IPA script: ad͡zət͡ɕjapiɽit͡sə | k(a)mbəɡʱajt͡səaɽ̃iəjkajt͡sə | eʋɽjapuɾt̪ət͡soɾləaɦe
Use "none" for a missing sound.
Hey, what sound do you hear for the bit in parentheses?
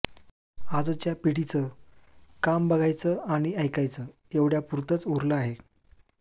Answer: a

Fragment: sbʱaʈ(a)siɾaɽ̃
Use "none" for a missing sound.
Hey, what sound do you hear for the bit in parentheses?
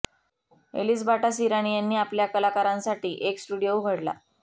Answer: a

